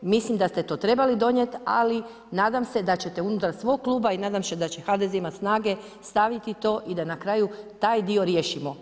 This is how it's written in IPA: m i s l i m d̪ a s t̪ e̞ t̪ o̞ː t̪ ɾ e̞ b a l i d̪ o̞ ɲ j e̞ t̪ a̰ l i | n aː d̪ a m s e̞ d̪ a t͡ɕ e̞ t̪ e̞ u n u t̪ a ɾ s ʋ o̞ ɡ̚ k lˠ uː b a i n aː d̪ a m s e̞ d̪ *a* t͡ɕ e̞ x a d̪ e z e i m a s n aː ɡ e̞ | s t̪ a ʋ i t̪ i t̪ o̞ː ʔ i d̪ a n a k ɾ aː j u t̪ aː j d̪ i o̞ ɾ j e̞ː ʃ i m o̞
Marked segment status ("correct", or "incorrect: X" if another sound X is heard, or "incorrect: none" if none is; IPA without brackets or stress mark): correct